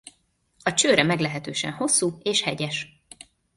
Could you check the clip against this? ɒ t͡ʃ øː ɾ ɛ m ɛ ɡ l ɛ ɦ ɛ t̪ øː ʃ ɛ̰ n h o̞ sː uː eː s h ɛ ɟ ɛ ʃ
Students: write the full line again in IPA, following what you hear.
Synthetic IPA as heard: ɒ t͡ʃ øː ɾ ɛ m ɛ ɡ l ɛ ɦ ɛ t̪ øː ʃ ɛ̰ n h o̞ sː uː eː ʃ h ɛ ɟ ɛ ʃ